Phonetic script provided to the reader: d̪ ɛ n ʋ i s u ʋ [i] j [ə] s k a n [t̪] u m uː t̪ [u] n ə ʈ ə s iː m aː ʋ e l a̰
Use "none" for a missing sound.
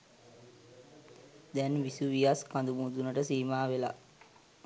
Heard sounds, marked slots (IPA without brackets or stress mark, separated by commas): i, a, d̪, u